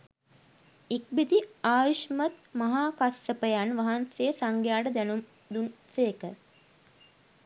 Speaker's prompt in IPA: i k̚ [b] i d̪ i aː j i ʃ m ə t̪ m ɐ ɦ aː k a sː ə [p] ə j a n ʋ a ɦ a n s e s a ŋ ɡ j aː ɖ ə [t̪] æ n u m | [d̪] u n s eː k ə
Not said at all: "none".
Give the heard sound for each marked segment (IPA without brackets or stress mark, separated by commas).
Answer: b, p, d̪, d̪